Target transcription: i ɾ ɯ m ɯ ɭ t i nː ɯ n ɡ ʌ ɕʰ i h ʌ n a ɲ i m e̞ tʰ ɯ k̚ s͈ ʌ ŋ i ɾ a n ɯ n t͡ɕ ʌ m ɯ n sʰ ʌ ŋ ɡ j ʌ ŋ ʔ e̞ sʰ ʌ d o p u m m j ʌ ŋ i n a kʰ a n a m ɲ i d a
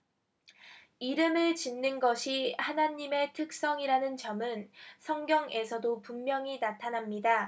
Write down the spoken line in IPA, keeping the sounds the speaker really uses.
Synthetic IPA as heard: i ɾ ɯ m ɯ ɭ t͡ɕ i nː ɯ n ɡ ʌ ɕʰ i h a n a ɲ i m e̞ tʰ ɯ k̚ s͈ ʌ ŋ i ɾ a n ɯ n t͡ɕ ʌ m ɯ n sʰ ʌ ŋ ɡ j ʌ ŋ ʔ e̞ sʰ ʌ d o p u m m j ʌ ŋ i n a tʰ a n a m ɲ i d a